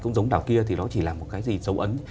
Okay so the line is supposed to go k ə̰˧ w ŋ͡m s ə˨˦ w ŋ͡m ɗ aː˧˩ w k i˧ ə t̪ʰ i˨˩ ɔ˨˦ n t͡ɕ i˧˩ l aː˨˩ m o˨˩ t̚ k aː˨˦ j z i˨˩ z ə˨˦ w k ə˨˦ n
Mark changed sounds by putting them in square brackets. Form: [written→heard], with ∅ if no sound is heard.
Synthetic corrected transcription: k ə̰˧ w ŋ͡m [s→z] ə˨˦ w ŋ͡m ɗ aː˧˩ w k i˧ ə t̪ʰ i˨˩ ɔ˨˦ [n→∅] t͡ɕ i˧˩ l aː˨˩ m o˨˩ t̚ k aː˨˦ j z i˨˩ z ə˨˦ w [k→ʔ] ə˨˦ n